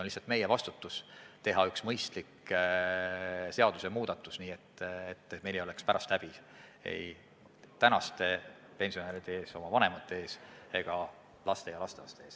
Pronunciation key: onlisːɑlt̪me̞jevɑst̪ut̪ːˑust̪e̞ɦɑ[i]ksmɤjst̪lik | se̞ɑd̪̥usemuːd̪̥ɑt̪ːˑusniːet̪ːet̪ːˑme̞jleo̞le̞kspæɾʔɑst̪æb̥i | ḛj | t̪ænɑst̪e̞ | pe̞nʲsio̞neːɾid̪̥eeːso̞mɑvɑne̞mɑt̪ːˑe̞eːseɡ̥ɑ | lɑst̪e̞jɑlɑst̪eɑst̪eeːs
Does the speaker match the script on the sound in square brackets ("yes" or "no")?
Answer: no